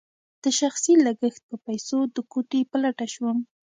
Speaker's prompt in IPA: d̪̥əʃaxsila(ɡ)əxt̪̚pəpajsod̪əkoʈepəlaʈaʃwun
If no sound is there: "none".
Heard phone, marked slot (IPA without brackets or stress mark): ɡ